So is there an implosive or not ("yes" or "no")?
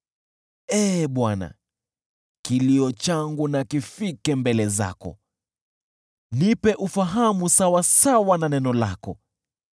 yes